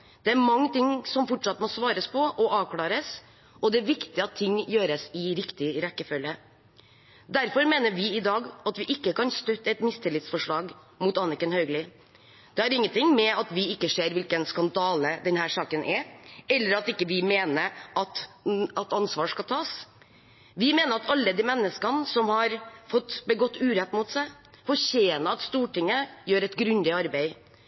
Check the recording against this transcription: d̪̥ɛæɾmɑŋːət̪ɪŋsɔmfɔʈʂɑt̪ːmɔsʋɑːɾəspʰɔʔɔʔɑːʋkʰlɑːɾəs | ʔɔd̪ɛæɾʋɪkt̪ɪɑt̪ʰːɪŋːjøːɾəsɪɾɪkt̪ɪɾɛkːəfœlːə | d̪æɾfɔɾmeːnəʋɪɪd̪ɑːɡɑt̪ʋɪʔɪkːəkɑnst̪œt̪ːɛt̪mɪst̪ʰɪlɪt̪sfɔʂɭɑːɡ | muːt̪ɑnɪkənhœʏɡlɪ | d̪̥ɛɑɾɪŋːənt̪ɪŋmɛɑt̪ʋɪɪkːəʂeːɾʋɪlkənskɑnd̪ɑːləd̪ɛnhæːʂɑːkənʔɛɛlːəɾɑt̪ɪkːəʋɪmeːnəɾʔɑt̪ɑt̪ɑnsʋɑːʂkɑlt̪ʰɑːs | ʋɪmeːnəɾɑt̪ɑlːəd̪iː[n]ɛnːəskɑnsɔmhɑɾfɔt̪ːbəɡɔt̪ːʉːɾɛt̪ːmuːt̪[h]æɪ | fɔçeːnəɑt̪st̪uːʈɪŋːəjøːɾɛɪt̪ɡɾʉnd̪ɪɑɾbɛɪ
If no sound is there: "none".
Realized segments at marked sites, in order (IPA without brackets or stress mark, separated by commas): m, s